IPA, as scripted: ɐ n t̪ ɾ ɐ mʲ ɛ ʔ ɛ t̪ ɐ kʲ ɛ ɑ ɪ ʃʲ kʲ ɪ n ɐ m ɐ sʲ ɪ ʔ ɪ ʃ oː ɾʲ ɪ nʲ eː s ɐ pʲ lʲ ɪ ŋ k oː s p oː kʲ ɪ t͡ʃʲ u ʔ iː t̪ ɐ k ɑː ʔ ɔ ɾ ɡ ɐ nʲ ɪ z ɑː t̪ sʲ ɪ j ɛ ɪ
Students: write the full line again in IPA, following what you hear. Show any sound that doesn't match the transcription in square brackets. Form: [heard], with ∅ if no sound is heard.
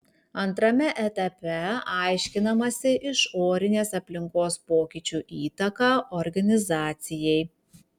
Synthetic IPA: ɐ n t̪ ɾ ɐ mʲ ɛ ʔ ɛ t̪ ɐ [pʲ] ɛ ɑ ɪ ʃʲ kʲ ɪ n ɐ m ɐ sʲ ɪ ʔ ɪ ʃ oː ɾʲ ɪ nʲ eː s ɐ pʲ lʲ ɪ ŋ k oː s p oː kʲ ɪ t͡ʃʲ u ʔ iː t̪ ɐ k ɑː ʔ ɔ ɾ ɡ ɐ nʲ ɪ z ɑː t̪ sʲ ɪ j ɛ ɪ